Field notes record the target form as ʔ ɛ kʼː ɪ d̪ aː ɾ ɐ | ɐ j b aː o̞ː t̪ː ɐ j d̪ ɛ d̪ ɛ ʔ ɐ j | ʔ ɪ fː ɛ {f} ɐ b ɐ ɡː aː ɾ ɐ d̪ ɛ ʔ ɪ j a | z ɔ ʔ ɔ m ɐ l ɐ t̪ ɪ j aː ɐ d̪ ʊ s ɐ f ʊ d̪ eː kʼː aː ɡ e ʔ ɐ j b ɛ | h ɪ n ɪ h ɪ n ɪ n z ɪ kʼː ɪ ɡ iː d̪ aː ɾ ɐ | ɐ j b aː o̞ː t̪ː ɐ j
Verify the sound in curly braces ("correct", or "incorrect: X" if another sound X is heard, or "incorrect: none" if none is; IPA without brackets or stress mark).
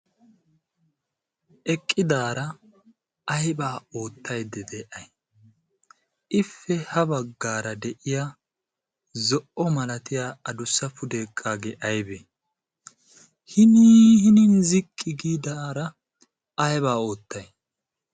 incorrect: h